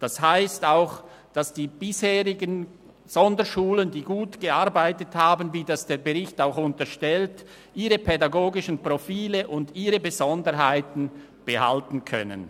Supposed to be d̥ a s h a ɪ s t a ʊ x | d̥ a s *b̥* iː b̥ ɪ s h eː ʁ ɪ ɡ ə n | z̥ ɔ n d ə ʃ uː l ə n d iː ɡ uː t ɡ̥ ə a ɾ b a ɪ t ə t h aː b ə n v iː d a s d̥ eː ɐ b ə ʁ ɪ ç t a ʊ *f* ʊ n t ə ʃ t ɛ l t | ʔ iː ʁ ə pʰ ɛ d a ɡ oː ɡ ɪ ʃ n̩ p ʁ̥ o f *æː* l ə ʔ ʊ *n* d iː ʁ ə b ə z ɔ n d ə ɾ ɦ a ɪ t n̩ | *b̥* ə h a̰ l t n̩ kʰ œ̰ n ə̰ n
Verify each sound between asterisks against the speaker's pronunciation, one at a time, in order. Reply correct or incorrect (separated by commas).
incorrect, incorrect, incorrect, correct, correct